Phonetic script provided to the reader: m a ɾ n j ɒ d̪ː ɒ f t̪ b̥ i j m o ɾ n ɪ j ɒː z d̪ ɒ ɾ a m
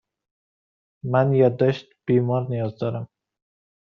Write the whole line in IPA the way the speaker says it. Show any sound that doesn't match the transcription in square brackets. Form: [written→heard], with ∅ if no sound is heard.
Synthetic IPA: m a [ɾ→∅] n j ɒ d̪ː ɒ [f→ʃ] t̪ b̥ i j m [o→ɒ] ɾ n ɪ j [ɒː→ɒ] z d̪ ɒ ɾ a m